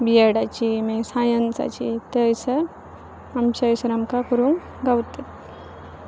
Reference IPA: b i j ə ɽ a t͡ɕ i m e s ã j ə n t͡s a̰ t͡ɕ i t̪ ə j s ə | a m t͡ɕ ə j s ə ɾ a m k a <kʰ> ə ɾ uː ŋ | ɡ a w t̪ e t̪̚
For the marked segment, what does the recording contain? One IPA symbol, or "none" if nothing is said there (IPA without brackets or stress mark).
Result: k